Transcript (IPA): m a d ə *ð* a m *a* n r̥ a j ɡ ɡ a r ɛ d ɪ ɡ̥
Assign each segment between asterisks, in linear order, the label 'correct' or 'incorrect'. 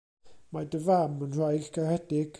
incorrect, incorrect

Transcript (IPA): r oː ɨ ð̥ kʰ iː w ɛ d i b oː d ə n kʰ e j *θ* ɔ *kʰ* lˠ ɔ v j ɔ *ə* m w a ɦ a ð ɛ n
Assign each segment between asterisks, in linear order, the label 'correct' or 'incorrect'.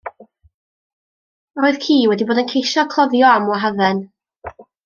incorrect, correct, incorrect

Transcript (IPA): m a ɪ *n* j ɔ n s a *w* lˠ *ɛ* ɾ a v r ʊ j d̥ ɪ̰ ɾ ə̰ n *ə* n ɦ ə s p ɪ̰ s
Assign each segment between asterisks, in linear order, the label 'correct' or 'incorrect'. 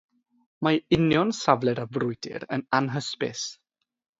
correct, incorrect, correct, incorrect

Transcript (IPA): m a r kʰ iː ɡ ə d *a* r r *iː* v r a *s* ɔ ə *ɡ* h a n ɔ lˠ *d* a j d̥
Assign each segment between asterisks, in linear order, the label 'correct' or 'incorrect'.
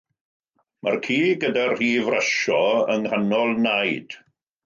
correct, correct, incorrect, incorrect, incorrect

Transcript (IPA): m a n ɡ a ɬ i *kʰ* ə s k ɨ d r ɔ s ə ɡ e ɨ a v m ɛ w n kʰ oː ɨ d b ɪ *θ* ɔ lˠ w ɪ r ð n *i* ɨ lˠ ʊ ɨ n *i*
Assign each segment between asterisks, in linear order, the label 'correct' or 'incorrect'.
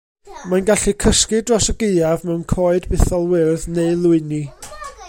correct, correct, incorrect, correct

